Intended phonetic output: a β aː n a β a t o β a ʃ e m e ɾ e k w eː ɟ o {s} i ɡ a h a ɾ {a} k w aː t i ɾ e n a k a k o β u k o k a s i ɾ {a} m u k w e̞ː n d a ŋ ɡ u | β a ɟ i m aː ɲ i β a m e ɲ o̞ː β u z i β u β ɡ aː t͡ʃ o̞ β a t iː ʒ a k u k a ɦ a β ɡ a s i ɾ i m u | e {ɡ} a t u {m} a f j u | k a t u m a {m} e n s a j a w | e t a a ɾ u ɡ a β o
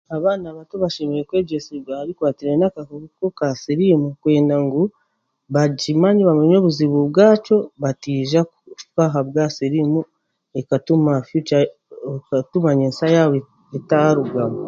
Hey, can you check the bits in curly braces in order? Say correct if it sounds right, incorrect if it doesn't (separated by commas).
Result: correct, incorrect, incorrect, incorrect, correct, incorrect